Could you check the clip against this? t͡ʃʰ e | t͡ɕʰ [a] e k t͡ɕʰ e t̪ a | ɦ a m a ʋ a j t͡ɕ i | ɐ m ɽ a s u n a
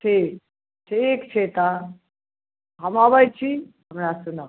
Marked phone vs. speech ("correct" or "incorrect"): incorrect